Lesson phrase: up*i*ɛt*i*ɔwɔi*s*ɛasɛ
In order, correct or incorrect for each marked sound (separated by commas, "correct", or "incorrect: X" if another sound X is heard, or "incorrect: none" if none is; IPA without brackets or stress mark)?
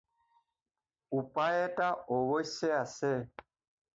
incorrect: a, incorrect: a, correct